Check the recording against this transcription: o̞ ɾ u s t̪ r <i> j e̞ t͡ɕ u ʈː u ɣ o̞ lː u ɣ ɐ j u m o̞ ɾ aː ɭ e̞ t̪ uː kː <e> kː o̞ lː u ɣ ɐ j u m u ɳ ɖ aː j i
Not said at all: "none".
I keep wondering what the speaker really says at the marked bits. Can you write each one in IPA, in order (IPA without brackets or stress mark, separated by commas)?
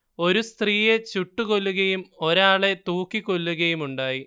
iː, i